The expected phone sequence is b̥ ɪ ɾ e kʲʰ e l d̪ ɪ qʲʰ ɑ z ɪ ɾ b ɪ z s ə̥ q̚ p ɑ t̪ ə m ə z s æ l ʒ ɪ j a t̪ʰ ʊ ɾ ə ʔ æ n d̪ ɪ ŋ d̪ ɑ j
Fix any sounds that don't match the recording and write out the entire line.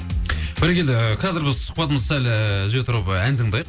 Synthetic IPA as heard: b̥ ɪ ɾ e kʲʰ e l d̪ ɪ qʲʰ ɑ z ɪ ɾ b ɪ z s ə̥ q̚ p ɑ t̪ ə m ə z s æ l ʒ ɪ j e t̪ʰ ʊ ɾ ə p æ n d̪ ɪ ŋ d̪ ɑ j